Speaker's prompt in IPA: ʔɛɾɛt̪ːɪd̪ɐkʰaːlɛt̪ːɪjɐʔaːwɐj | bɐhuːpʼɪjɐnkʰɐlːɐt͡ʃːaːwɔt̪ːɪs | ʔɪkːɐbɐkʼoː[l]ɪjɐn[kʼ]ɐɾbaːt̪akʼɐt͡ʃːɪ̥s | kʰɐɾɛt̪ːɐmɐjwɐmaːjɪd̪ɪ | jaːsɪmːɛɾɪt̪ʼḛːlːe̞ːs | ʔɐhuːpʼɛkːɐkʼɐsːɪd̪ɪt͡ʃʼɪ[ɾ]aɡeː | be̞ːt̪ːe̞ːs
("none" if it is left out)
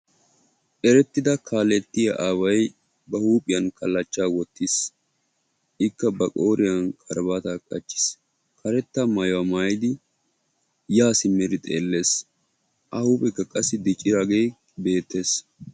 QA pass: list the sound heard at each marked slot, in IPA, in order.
ɾ, kʼ, ɾ

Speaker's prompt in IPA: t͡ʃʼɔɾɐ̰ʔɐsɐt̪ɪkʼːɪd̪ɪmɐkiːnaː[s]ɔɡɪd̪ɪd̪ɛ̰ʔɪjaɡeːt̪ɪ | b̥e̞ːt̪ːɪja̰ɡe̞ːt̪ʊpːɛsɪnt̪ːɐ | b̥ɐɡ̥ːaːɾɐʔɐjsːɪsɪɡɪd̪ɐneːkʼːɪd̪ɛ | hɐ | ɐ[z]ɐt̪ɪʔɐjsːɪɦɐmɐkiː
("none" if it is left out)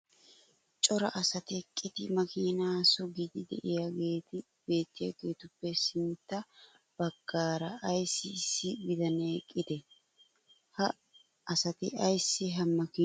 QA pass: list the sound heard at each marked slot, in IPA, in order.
s, s

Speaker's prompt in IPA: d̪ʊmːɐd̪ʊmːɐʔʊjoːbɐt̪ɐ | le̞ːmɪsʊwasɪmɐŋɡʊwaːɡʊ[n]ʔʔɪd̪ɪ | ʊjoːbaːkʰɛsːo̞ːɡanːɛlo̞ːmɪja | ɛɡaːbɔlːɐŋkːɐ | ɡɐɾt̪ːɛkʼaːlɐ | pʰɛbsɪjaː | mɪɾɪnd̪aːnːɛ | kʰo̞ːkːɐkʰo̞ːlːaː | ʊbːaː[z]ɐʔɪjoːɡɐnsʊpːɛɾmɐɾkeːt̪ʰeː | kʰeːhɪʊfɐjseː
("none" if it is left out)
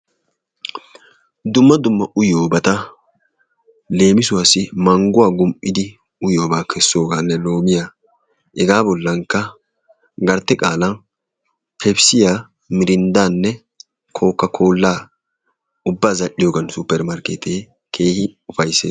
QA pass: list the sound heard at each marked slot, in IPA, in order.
m, z

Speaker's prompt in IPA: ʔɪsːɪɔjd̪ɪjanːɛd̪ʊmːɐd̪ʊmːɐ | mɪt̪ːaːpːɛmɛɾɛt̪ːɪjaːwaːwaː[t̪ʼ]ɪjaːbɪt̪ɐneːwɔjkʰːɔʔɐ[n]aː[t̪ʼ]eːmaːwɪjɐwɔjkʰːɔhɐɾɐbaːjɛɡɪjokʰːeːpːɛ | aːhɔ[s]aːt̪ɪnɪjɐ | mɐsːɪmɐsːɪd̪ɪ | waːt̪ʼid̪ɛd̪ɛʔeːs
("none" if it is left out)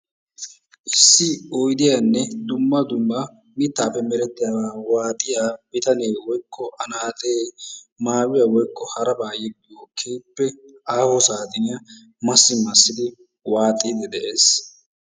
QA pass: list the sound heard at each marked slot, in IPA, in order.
t̪ʼ, n, t̪ʼ, s

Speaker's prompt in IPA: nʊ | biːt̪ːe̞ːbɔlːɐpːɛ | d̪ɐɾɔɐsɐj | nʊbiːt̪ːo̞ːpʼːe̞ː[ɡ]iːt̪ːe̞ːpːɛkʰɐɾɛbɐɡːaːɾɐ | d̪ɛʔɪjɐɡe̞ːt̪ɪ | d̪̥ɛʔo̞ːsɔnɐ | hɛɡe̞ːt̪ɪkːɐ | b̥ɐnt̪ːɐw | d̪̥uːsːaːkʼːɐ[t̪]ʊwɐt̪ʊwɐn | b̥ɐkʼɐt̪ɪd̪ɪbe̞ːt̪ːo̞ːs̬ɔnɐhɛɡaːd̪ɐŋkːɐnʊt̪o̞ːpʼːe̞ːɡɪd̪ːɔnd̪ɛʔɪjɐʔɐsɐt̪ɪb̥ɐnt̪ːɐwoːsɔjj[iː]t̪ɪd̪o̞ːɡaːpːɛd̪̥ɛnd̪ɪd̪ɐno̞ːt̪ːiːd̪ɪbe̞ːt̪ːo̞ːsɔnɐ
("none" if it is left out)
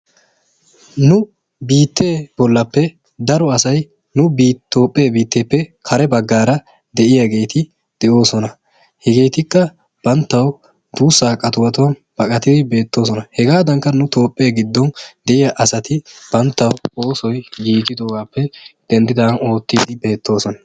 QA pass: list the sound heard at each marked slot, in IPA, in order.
b, t̪, iː

